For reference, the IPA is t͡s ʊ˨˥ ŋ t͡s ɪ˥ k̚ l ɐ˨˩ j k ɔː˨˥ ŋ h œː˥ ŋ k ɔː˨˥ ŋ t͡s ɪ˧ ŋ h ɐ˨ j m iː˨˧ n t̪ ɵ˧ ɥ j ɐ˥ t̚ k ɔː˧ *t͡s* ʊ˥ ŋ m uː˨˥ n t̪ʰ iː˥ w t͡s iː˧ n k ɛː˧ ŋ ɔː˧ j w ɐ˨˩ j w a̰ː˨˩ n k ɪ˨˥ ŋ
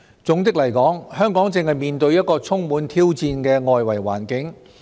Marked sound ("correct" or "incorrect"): incorrect